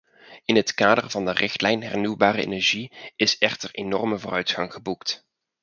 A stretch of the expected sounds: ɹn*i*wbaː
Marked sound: incorrect: y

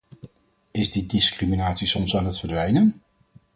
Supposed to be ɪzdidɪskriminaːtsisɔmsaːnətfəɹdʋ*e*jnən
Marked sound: incorrect: ɛ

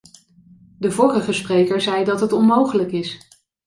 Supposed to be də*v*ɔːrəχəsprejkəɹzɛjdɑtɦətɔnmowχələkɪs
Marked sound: correct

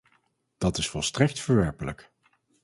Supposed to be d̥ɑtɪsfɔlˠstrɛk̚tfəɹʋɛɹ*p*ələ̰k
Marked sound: correct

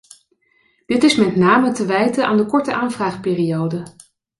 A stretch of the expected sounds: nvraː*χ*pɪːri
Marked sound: correct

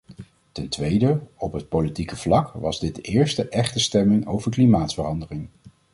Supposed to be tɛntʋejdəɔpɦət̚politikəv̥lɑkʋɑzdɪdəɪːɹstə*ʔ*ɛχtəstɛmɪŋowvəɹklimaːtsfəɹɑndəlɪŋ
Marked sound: correct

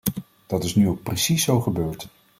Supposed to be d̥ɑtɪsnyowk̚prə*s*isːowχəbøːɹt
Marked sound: correct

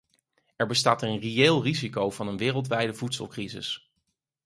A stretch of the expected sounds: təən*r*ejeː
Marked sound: correct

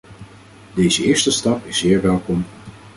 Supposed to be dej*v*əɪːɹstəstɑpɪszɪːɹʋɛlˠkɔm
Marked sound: incorrect: z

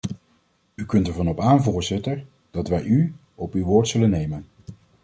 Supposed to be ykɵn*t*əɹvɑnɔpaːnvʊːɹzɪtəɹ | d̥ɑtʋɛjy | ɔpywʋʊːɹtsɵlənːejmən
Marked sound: correct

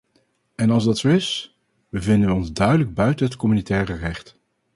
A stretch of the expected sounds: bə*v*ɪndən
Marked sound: correct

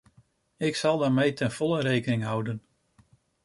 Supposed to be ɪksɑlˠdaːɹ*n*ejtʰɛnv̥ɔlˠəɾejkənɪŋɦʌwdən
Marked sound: incorrect: m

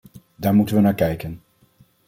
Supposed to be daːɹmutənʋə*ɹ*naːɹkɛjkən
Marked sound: incorrect: none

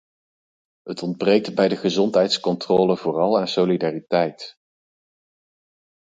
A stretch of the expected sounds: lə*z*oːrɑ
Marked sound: incorrect: v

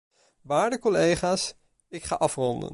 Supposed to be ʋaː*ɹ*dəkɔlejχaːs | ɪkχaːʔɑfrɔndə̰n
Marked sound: correct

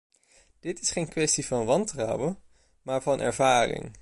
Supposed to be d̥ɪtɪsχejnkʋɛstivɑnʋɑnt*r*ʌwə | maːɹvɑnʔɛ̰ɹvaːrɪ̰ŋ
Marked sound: correct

